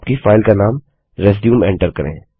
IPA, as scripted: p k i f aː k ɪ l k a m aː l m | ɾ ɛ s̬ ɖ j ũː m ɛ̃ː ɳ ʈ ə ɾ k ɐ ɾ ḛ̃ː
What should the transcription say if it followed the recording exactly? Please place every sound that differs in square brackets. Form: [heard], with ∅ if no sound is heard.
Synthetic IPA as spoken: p k i f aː [∅] ɪ l k a [n] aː [∅] m | ɾ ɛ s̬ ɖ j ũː m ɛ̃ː ɳ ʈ ə ɾ k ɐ ɾ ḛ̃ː